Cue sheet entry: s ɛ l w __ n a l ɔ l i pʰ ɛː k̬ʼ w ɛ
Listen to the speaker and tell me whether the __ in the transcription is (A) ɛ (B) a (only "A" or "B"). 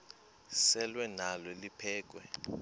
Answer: A